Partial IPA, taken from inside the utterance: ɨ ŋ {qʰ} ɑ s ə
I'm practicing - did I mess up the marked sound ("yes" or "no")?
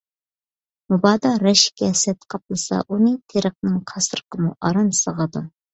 no